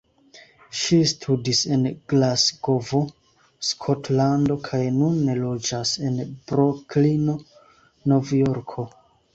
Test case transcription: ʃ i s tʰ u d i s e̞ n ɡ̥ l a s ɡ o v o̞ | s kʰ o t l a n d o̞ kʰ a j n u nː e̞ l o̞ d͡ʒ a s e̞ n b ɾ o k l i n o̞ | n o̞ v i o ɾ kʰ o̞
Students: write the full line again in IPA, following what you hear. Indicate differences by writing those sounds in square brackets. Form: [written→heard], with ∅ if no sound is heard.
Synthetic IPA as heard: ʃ i s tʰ u d i s e̞ n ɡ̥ l a s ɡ o v o̞ | s kʰ o t l a n d o̞ kʰ a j n u nː e̞ l o̞ d͡ʒ a s e̞ n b ɾ o k l i n o̞ | n o̞ v [i→j] o ɾ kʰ o̞